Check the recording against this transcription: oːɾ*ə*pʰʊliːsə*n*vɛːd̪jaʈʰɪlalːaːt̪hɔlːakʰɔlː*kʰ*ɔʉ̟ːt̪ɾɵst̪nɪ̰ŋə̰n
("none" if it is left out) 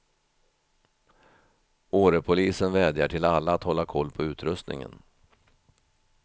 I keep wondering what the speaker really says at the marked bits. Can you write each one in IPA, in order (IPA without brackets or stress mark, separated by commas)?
ə, n, pʰ